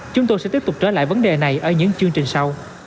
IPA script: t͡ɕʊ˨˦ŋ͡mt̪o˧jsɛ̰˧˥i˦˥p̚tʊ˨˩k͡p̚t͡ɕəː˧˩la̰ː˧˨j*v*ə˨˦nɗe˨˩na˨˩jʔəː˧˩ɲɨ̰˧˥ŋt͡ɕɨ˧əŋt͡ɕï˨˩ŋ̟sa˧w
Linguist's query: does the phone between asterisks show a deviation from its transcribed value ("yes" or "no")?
no